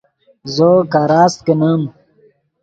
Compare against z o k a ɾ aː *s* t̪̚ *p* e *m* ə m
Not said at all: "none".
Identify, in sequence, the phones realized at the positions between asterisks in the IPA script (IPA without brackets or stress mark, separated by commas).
s, k, n